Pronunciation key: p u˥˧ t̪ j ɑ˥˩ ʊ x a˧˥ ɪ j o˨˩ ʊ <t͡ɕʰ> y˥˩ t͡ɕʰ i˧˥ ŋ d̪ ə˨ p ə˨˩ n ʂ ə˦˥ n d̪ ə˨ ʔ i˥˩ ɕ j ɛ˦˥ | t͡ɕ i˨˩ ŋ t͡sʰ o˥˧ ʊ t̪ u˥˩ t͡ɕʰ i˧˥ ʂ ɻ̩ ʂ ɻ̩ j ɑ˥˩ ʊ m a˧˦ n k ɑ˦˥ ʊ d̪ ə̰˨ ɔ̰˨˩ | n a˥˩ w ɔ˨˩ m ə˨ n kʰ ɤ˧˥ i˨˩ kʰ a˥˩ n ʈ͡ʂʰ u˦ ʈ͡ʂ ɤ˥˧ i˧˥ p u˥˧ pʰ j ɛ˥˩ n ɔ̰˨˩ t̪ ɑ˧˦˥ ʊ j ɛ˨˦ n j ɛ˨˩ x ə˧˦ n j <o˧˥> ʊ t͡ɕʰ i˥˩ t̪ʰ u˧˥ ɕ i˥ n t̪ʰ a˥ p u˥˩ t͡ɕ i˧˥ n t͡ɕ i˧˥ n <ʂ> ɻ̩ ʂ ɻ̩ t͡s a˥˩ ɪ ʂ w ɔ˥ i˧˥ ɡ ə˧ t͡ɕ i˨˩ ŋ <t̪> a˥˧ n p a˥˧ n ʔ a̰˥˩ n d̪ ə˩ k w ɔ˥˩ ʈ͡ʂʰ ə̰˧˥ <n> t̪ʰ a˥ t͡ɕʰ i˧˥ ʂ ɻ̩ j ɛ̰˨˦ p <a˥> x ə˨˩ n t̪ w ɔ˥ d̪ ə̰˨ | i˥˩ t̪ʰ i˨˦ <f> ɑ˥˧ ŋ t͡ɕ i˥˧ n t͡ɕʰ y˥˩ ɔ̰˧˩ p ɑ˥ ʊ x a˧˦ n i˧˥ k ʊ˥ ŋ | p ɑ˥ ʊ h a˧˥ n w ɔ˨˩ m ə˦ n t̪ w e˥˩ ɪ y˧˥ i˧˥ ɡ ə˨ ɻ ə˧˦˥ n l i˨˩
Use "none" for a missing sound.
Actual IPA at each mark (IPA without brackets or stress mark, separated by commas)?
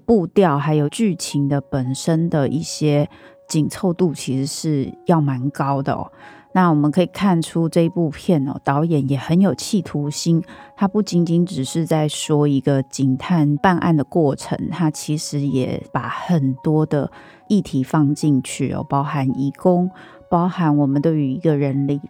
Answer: t͡ɕ, o˨˩, ʈ͡ʂ, t̪ʰ, ŋ, a˨˩˦, f